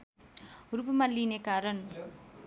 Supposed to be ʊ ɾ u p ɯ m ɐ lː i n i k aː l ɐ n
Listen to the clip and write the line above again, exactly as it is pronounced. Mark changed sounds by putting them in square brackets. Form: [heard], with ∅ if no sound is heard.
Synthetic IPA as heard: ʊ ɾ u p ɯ m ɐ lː i n [e] k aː [ɾ] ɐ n